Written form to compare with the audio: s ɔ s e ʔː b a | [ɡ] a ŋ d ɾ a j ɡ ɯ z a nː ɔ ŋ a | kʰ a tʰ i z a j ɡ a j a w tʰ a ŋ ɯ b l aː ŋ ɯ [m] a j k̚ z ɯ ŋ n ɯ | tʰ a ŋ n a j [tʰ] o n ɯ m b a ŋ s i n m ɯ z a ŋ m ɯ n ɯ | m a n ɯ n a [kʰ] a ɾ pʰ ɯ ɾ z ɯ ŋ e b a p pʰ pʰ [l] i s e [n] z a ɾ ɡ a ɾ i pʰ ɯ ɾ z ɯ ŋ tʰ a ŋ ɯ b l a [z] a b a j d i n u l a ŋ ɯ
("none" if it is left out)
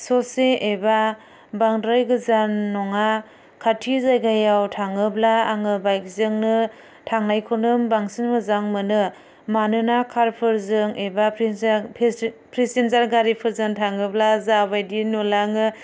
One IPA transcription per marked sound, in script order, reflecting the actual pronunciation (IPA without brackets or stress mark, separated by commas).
b, b, kʰ, kʰ, ɾ, n, z